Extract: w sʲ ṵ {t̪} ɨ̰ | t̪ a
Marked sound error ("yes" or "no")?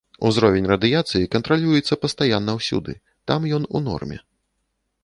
yes